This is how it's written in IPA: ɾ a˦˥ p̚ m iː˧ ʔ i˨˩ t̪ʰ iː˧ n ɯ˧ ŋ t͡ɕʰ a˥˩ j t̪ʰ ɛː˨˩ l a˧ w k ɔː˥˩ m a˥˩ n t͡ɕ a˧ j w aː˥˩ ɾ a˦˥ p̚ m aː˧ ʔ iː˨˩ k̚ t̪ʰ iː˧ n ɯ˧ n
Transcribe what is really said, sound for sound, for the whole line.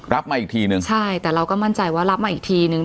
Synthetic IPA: ɾ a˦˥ p̚ m aː˧ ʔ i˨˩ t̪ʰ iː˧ n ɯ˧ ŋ t͡ɕʰ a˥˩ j t̪ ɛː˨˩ ɾ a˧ w k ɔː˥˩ m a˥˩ n t͡ɕ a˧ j w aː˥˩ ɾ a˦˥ p̚ m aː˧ ʔ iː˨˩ k̚ t̪ʰ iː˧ n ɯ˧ ŋ